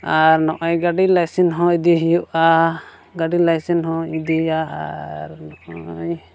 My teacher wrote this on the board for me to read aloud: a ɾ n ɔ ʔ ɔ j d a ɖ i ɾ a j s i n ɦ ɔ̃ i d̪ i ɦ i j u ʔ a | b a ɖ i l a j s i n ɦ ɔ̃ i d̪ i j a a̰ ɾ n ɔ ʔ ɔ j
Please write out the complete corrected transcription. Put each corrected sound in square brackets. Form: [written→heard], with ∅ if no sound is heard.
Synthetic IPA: a ɾ n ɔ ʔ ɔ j [d→ɡ] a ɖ i [ɾ→l] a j s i n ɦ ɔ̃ i d̪ i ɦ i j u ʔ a | [b→ɡ] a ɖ i l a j s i n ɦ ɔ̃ i d̪ i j a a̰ ɾ n ɔ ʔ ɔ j